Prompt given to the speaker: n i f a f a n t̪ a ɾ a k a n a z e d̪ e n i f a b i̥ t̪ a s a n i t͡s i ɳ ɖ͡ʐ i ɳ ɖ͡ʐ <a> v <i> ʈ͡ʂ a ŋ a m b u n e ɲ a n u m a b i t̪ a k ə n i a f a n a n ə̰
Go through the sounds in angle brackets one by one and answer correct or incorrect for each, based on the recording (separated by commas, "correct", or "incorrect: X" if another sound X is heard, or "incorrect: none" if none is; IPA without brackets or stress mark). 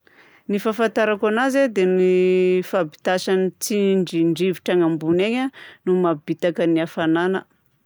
incorrect: i, correct